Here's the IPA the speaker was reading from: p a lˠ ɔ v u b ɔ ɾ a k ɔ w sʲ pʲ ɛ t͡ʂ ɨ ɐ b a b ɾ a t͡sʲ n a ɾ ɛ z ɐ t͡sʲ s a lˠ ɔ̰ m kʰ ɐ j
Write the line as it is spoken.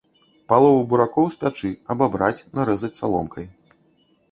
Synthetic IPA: p a lˠ ɔ v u b u ɾ a k ɔ w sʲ pʲ a t͡ʂ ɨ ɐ b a b ɾ a t͡sʲ n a ɾ ɛ z ɐ t͡sʲ s a lˠ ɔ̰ m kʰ ɐ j